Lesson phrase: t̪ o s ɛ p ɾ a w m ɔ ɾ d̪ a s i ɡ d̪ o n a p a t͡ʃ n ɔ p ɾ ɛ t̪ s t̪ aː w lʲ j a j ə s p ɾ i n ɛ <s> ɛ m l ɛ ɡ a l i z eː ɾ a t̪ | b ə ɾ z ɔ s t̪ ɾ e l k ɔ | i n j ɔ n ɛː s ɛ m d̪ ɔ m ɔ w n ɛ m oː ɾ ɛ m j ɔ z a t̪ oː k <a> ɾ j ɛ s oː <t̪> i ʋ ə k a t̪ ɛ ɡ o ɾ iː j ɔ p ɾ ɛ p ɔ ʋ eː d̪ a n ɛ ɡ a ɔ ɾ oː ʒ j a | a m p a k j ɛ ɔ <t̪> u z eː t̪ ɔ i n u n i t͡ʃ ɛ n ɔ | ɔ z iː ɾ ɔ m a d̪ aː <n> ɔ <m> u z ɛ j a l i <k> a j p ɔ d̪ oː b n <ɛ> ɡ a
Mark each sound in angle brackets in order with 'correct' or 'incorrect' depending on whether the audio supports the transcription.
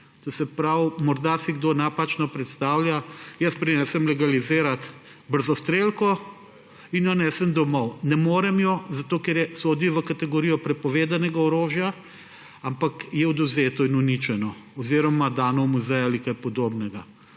correct, incorrect: ɛ, incorrect: d̪, incorrect: d̪, correct, correct, correct, correct

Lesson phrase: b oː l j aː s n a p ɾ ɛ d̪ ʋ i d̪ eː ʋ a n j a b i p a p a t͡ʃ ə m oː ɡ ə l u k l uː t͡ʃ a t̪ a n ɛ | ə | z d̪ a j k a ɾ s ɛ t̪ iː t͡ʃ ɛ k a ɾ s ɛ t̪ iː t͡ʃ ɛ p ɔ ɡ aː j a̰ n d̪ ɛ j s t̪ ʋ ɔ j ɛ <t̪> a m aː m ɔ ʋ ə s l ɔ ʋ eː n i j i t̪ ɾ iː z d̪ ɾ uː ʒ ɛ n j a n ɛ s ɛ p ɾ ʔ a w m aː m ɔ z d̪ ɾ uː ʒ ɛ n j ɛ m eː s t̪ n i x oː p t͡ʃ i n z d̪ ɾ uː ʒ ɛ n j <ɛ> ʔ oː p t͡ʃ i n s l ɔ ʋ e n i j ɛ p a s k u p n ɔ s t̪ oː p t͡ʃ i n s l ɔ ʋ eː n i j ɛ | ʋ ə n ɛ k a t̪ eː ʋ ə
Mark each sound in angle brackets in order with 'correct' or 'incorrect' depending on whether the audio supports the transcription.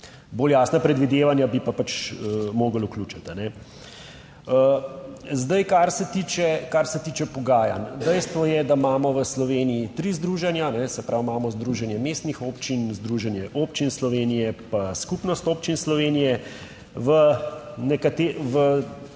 incorrect: d̪, correct

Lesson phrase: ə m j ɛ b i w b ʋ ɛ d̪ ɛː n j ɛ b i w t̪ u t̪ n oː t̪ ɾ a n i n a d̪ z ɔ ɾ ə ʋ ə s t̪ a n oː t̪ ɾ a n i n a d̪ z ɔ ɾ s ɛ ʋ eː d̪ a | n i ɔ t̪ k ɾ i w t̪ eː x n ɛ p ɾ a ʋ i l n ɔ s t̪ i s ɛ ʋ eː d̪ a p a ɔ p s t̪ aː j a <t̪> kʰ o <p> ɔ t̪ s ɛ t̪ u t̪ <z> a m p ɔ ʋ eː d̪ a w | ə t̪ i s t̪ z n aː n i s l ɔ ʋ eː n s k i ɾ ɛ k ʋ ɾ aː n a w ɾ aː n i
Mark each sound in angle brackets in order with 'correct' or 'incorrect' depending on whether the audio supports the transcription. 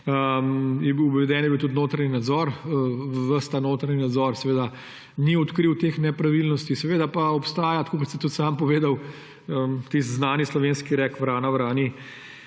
correct, incorrect: k, incorrect: s

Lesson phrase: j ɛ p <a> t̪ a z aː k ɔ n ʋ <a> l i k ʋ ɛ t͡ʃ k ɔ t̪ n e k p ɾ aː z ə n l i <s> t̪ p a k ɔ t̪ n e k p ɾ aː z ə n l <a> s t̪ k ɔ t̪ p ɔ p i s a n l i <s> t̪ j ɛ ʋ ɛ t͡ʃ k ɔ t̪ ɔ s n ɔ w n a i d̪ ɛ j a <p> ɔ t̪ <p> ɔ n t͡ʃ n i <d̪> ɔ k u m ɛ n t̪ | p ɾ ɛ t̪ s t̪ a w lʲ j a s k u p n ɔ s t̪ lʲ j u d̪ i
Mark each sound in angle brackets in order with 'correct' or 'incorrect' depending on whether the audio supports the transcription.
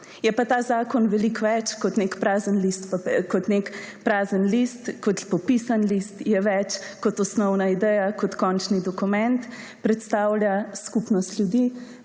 correct, incorrect: ɛ, correct, incorrect: i, correct, incorrect: k, incorrect: k, correct

